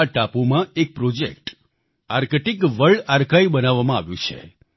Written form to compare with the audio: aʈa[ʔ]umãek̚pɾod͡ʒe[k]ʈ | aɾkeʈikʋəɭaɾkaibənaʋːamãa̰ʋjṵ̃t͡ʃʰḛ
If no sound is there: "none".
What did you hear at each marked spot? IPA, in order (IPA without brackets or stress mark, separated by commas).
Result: p, k